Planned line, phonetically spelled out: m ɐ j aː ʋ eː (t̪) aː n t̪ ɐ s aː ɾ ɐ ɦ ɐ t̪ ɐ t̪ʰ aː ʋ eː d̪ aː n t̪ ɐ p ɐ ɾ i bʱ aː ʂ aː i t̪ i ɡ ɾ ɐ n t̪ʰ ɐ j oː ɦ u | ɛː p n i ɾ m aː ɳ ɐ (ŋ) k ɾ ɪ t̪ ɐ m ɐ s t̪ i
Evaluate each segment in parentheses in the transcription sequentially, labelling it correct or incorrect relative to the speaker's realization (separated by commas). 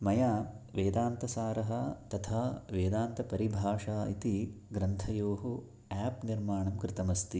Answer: incorrect, incorrect